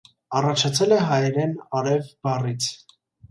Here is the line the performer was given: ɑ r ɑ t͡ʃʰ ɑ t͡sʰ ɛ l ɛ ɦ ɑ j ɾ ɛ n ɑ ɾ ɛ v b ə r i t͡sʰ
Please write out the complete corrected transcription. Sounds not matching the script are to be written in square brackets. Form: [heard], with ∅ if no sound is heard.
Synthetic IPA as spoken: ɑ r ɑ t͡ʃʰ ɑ t͡sʰ ɛ l ɛ ɦ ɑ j ɾ ɛ n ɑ ɾ ɛ v b [ɑ] r i t͡sʰ